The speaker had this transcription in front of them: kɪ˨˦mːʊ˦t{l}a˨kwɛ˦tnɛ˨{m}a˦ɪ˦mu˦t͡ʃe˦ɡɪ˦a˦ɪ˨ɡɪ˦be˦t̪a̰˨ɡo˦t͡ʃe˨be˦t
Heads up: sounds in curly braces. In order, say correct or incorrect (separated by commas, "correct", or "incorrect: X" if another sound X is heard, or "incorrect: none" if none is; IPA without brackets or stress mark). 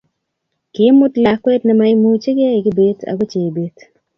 correct, correct